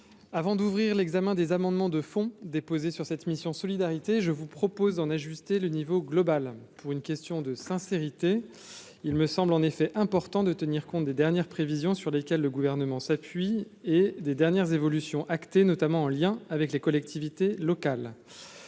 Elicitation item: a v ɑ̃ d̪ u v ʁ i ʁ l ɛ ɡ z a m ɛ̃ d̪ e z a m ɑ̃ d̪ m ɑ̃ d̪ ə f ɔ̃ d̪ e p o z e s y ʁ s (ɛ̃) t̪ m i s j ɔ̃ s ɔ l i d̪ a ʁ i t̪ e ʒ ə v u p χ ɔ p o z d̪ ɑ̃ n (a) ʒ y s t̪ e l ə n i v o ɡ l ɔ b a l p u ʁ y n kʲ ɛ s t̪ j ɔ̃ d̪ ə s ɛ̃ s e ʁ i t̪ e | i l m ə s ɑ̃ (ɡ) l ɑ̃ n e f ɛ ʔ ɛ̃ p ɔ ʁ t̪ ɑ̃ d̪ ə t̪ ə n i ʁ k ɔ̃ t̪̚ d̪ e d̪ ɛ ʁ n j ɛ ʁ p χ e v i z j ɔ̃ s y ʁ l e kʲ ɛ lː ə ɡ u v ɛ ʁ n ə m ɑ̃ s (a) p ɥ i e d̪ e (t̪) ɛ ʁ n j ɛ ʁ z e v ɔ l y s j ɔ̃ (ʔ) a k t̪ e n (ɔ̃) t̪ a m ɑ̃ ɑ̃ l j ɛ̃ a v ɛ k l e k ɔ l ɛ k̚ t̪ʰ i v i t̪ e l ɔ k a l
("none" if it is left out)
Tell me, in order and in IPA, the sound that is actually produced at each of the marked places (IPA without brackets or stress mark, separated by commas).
ɛ, a, b, a, d̪, ʔ, ɔ